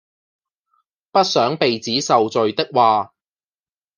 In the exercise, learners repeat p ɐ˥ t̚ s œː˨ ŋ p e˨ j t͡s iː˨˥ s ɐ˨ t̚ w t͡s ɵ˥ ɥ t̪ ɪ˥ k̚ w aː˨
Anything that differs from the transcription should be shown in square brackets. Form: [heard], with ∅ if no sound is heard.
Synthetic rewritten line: p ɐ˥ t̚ s [œː˨˥] ŋ p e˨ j t͡s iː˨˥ s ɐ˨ [∅] w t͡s [ɵ˨] ɥ t̪ ɪ˥ k̚ w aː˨